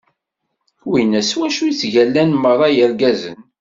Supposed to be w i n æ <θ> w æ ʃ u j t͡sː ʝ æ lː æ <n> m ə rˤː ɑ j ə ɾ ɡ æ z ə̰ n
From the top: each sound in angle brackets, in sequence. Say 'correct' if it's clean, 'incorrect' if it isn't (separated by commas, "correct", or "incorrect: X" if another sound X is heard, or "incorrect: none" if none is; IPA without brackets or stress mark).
incorrect: s, correct